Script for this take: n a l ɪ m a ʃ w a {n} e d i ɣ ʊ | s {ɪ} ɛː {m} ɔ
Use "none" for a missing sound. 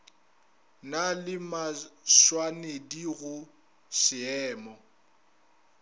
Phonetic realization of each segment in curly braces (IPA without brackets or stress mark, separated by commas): n, ɪ, m